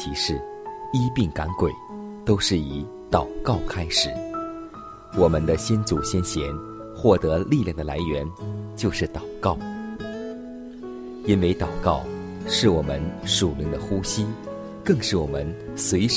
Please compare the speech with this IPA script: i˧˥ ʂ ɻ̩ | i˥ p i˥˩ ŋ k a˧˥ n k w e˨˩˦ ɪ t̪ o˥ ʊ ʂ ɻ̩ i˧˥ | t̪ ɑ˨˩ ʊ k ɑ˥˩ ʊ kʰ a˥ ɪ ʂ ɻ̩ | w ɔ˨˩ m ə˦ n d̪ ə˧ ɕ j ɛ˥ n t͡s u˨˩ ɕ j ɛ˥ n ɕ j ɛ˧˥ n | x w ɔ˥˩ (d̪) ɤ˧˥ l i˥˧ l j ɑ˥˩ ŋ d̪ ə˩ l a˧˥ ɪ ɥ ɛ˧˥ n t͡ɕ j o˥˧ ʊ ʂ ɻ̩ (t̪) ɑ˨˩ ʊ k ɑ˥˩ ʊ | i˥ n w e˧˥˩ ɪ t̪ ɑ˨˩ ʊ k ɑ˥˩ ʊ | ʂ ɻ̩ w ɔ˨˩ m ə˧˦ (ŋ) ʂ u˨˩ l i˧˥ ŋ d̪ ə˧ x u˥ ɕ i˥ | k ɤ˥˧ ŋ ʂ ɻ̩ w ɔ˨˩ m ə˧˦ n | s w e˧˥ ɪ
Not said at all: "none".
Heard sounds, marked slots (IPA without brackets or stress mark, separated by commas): t̪, t̪, n